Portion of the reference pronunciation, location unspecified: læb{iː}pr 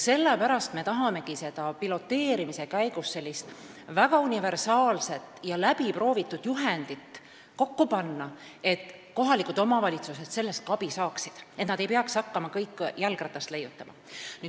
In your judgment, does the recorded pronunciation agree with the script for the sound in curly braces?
no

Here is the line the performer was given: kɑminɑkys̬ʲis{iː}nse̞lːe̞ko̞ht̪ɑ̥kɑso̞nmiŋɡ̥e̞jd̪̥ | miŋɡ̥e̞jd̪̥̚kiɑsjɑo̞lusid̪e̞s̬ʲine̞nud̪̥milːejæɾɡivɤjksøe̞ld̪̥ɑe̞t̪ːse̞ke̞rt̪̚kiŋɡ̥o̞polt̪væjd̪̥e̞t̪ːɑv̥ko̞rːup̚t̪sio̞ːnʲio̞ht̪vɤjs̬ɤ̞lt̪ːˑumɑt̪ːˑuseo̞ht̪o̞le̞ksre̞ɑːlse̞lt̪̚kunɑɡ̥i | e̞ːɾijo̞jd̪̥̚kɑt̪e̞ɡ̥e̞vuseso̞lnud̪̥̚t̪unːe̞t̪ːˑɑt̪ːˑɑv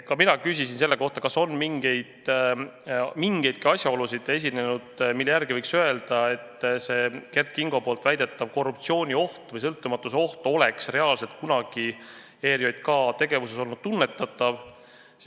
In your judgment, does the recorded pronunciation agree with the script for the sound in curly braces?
no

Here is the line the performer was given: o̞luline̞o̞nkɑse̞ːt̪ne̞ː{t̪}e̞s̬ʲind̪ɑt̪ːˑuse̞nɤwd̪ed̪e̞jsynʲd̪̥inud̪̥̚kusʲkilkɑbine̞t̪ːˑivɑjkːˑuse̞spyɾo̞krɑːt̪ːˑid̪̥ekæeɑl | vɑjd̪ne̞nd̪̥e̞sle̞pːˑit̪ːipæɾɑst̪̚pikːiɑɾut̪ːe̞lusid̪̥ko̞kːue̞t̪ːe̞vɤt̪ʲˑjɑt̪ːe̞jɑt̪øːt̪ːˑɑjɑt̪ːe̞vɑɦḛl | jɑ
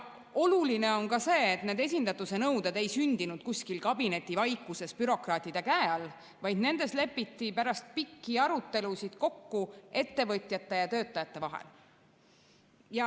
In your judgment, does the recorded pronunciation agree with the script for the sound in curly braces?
no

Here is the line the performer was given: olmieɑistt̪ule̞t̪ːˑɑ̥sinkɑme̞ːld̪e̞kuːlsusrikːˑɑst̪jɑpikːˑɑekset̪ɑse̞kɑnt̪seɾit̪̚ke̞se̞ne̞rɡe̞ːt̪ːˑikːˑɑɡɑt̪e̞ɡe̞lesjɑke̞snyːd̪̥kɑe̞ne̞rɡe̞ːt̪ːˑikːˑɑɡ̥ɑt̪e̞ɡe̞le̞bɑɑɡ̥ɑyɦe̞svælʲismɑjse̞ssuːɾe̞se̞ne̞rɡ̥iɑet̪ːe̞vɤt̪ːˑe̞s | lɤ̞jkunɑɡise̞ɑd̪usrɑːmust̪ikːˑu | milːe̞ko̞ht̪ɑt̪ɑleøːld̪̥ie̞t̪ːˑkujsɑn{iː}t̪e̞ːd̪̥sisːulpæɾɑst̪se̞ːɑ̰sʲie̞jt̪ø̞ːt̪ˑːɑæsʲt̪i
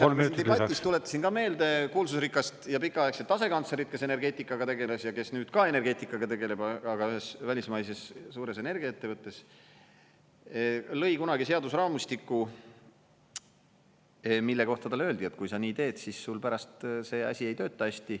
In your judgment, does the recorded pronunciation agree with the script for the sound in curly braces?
yes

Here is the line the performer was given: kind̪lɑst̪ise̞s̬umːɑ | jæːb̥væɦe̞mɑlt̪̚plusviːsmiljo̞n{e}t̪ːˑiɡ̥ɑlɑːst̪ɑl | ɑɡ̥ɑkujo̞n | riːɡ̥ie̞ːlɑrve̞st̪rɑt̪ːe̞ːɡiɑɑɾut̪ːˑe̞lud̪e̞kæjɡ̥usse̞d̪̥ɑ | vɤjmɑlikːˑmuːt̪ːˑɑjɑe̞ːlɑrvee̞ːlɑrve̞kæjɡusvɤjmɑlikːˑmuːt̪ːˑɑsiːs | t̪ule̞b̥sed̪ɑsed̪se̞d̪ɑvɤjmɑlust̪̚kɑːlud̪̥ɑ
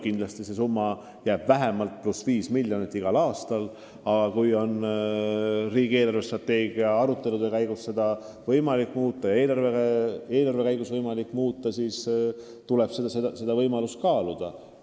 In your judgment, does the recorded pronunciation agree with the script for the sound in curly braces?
no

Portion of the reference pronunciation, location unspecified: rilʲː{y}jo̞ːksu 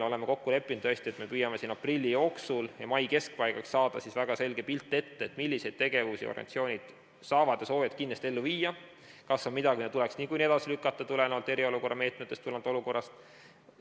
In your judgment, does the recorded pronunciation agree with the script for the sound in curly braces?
no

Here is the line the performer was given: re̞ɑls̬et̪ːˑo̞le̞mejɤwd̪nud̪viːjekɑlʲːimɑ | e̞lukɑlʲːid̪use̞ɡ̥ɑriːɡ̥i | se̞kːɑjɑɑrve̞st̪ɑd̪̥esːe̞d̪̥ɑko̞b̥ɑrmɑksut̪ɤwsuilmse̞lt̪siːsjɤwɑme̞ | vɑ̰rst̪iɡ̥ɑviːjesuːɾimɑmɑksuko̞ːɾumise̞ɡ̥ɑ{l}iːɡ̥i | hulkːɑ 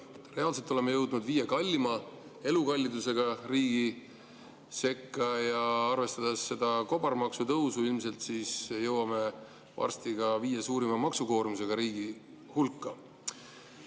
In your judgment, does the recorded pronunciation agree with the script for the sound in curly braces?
no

